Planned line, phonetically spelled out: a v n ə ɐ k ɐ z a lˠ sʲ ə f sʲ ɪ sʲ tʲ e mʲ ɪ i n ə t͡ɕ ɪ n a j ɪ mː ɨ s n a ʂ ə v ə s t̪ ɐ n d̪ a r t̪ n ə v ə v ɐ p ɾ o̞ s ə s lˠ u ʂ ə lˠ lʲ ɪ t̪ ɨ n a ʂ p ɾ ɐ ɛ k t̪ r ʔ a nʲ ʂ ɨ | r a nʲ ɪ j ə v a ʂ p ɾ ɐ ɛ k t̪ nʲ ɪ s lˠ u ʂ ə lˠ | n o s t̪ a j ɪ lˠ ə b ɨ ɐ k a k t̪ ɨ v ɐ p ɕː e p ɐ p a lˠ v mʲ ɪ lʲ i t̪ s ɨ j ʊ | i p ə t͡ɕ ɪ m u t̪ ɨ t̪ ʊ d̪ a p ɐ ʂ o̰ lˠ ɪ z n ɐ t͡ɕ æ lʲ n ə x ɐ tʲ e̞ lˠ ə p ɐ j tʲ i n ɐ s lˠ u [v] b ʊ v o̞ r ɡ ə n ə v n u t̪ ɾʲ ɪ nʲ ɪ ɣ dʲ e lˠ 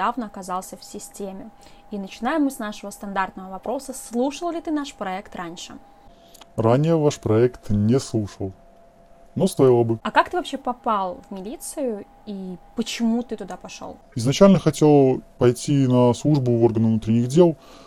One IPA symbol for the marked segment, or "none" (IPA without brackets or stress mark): ʐ